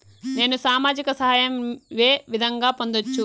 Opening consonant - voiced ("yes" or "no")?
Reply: yes